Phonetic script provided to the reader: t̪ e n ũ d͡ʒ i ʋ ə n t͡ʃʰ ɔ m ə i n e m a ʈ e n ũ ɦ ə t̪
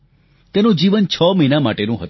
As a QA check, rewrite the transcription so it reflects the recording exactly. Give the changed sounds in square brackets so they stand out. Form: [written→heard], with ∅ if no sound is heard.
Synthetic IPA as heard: t̪ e n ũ d͡ʒ i ʋ ə n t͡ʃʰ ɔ m ə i n [e→a] m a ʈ e n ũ ɦ ə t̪